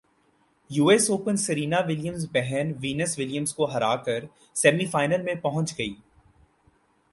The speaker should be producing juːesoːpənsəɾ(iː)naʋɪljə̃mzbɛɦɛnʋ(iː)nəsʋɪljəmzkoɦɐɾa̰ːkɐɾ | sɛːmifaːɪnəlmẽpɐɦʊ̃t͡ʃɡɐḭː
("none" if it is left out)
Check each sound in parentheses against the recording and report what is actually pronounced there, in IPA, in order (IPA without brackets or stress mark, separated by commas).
iː, iː